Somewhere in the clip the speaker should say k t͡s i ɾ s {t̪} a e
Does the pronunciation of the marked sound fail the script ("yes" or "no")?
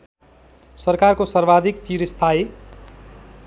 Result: yes